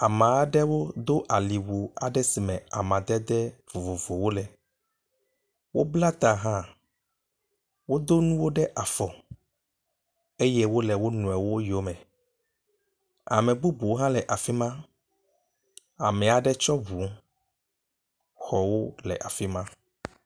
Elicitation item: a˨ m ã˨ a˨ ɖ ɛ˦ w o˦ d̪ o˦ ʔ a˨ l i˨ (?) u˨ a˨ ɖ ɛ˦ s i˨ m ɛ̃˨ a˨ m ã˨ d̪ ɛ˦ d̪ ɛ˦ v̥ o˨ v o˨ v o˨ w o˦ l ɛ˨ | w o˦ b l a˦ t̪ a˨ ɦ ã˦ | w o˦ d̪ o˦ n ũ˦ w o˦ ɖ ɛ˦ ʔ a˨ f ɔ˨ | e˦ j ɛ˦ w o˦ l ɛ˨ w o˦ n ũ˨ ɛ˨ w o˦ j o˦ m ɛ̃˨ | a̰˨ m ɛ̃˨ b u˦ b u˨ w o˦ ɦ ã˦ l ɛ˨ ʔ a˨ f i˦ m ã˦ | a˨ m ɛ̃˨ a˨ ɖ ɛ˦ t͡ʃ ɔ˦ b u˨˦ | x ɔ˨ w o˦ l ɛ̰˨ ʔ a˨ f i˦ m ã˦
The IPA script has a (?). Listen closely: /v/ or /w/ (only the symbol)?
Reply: w